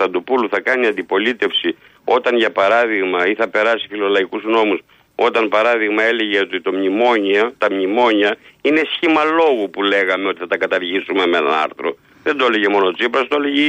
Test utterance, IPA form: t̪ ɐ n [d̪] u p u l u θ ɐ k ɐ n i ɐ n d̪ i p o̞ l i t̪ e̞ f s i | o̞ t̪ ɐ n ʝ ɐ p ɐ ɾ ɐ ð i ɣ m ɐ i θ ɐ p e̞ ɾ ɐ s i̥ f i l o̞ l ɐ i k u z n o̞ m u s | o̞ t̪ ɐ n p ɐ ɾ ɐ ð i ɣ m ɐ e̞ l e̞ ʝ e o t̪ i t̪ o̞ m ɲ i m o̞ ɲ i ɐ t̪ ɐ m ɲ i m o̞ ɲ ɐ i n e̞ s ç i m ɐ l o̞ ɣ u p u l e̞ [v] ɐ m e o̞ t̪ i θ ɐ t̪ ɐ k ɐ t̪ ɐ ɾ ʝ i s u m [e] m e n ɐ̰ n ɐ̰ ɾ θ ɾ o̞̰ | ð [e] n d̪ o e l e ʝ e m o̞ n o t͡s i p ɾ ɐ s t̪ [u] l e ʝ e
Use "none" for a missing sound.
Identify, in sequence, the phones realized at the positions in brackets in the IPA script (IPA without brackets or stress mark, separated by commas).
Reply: d̪, ɣ, e, e, o